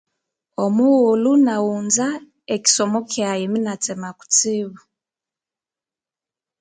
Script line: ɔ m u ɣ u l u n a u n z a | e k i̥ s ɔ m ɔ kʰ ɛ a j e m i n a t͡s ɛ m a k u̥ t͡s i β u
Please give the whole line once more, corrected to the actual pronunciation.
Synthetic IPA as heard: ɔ m u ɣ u l u n a u n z a | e k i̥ s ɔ m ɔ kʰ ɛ a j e m i n a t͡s ɛ m a k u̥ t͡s i β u